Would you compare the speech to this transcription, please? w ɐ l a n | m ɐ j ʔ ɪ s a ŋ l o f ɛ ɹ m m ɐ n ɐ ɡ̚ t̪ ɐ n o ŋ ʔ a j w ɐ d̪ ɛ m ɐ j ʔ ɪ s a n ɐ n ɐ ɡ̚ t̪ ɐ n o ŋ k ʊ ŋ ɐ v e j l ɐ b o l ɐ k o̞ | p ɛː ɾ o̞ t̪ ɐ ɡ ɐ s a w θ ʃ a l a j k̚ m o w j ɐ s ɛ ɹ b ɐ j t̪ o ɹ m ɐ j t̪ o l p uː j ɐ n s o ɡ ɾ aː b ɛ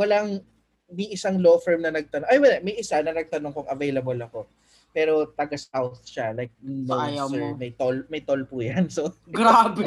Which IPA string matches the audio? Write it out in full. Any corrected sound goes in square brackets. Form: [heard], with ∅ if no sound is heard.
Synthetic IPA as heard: w ɐ l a [ŋ] | m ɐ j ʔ ɪ s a ŋ l o f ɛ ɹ m [n] ɐ n ɐ ɡ̚ t̪ ɐ n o ŋ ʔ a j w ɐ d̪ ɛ m ɐ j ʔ ɪ s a n ɐ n ɐ ɡ̚ t̪ ɐ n o ŋ k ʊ ŋ ɐ v e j l ɐ b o l ɐ k o̞ | p ɛː ɾ o̞ t̪ ɐ ɡ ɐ s a w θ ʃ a l a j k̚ [n] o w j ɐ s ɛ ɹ [m] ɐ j t̪ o [l] m ɐ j t̪ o l p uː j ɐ n s o ɡ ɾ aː b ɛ